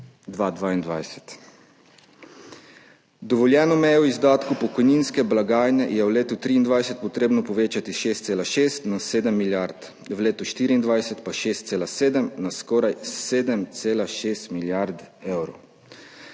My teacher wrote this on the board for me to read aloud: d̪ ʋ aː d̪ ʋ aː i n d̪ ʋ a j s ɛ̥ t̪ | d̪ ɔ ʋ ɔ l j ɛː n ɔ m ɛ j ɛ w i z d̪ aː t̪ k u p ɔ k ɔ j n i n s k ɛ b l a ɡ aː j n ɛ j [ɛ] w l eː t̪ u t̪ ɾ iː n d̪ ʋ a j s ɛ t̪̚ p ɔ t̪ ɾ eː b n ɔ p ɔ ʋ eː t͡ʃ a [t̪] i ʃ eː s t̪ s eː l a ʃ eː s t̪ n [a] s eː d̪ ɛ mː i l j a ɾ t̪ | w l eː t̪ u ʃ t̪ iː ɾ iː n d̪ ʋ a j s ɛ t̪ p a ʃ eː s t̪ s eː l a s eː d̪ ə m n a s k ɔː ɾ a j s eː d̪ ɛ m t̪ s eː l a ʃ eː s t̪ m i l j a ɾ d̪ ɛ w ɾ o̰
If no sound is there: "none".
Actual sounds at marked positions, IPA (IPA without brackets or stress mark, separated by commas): ɛ, t̪, a